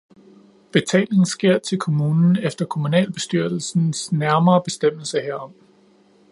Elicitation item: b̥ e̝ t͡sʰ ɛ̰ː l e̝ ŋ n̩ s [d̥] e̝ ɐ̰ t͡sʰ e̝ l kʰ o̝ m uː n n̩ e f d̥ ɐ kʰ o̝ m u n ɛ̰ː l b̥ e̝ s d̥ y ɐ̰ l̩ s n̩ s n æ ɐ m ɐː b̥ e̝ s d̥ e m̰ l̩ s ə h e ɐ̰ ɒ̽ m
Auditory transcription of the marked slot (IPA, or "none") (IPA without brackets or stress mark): ɡ̥